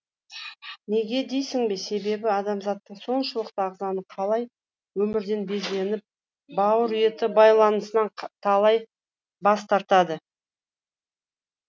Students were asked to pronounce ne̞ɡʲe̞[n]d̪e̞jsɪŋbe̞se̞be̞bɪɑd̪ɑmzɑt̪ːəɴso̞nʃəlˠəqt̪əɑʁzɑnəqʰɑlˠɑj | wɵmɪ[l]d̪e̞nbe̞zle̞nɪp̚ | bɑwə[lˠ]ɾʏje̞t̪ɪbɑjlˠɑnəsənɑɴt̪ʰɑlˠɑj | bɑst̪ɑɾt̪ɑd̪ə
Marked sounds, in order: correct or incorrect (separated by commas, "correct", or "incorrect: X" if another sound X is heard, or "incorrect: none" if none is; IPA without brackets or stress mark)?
incorrect: none, incorrect: ɾ, incorrect: none